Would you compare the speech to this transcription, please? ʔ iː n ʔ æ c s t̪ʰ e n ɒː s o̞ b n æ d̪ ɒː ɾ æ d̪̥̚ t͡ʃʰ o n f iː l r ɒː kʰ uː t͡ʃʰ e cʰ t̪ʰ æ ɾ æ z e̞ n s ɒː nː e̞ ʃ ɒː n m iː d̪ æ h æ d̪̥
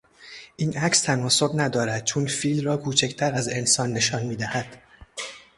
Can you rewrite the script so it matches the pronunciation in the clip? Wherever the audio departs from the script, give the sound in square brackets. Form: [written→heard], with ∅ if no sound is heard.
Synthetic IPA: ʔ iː n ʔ æ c s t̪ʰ [e→æ] n ɒː s o̞ b n æ d̪ ɒː ɾ æ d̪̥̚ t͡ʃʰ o n f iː l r ɒː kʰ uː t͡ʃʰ e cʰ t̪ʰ æ ɾ æ z e̞ n s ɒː nː e̞ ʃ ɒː n m iː d̪ æ h æ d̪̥